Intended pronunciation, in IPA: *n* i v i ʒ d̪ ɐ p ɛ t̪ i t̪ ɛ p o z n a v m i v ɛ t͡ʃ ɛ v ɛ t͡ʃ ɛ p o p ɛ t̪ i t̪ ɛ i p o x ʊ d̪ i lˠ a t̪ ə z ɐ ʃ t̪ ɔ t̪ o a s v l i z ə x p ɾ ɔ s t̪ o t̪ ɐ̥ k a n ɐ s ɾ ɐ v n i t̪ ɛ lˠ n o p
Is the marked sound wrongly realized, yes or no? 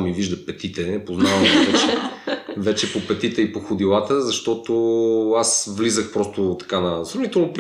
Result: yes